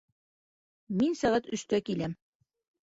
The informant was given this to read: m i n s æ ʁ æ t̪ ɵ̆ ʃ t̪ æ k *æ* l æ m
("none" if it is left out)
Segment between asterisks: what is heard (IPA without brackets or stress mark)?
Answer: i